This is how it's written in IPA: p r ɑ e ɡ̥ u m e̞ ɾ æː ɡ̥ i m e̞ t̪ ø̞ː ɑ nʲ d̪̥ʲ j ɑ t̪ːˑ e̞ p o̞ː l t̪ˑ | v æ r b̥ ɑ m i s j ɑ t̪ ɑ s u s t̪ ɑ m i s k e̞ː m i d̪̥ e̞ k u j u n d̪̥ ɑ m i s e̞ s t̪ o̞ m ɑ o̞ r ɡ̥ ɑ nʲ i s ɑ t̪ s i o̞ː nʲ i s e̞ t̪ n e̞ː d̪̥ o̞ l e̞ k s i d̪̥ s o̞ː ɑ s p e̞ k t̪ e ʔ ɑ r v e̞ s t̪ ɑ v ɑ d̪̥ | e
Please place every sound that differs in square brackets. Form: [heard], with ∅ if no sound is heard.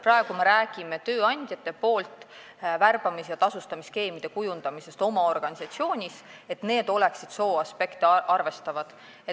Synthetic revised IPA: p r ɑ e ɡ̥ u m e̞ ɾ æː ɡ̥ i m e̞ t̪ ø̞ː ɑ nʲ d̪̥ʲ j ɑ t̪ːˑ e̞ p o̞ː l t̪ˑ | v æ r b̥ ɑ m i s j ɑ t̪ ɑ s u s t̪ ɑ m i s k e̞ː m i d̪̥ e̞ k u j u n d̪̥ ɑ m i s e̞ s t̪ o̞ m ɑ o̞ r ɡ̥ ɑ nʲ i s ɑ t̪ s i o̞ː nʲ i s e̞ t̪ n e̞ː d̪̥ o̞ l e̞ k s i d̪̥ s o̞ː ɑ s p e̞ k t̪ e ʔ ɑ r v e̞ s t̪ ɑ v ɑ d̪̥ | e

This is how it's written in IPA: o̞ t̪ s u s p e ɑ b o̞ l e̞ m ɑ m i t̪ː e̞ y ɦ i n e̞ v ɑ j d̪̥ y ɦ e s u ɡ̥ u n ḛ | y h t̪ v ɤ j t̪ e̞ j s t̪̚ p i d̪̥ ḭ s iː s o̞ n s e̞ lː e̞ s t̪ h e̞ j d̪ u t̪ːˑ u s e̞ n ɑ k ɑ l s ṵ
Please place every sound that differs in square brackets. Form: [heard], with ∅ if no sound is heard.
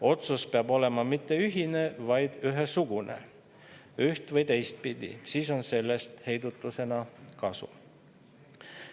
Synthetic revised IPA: o̞ t̪ s u s p e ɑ b o̞ l e̞ m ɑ m i t̪ː e̞ y ɦ i n e̞ v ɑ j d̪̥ y ɦ e s u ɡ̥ u n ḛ | y h t̪ v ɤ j t̪ e̞ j s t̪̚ p i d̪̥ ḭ s iː s o̞ n s e̞ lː e̞ s t̪ h e̞ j d̪ u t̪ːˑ u s e̞ n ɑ k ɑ [∅] s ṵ

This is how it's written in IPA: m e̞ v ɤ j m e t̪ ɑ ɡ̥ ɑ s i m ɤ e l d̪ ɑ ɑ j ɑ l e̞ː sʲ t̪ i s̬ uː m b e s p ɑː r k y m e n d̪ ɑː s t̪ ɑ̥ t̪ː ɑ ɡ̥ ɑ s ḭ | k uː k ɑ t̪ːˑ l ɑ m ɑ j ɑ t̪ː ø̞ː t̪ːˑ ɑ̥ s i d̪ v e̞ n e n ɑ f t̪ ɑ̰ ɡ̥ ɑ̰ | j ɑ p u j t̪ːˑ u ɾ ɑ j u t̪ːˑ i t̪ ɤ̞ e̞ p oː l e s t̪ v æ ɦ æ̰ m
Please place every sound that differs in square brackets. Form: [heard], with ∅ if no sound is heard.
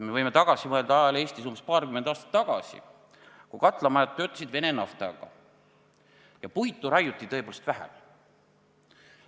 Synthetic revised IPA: m e̞ v ɤ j m e t̪ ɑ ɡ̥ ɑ s i m ɤ e l d̪ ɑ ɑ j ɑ l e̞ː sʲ t̪ i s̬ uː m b e s p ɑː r k y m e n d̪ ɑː s t̪ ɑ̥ t̪ː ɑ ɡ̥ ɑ s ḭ | k [u] k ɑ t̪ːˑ l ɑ m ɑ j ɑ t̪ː ø̞ː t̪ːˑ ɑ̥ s i d̪ v e̞ n e n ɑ f t̪ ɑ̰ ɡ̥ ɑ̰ | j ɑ p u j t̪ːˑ u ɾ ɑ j u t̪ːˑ i t̪ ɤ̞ e̞ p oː l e s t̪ v æ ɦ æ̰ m

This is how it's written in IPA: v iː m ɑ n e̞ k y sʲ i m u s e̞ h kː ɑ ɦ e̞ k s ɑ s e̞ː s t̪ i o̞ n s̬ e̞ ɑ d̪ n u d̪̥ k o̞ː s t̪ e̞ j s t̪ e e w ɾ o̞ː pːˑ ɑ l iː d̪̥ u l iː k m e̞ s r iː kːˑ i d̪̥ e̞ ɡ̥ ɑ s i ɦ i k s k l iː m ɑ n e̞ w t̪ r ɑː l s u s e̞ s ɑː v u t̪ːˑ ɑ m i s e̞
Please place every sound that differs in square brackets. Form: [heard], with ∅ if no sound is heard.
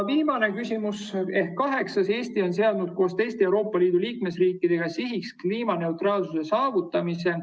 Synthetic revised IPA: v iː m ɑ n e̞ k y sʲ i m u s e̞ h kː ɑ ɦ e̞ k s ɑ s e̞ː s t̪ i o̞ n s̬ e̞ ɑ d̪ n u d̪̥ k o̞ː s t̪ e̞ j s t̪ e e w ɾ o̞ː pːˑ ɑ l iː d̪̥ u l iː k m e̞ s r iː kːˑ i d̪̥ e̞ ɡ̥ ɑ s i ɦ i k s k l iː m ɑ n e̞ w t̪ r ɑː l s u s e̞ s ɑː v u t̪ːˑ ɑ m i s e̞

